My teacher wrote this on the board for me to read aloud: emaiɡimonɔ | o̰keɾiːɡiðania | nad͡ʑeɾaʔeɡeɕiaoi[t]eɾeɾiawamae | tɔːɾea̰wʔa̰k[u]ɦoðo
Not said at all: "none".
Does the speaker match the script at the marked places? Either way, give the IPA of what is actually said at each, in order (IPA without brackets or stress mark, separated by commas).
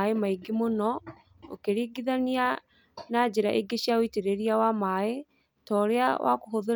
t, o